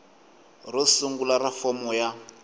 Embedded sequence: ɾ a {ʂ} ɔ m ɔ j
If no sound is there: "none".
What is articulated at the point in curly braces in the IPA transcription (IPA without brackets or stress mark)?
f